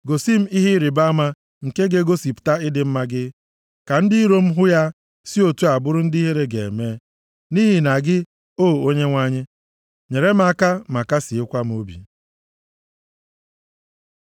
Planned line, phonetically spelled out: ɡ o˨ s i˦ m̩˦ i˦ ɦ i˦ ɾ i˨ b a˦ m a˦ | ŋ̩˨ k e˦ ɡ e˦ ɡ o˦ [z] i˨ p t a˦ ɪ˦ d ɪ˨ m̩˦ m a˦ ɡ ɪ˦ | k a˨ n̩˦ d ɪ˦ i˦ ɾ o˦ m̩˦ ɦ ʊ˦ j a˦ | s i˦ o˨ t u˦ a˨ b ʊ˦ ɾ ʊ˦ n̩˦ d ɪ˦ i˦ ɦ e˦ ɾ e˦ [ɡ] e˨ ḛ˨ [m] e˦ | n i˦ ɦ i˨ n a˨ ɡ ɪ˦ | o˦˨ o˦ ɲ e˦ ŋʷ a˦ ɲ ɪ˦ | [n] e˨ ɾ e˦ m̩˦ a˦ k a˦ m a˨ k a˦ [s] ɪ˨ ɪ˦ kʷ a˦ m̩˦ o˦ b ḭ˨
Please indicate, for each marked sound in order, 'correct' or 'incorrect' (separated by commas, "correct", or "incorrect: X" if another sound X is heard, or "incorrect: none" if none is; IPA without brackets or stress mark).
incorrect: s, correct, correct, incorrect: ɲ, correct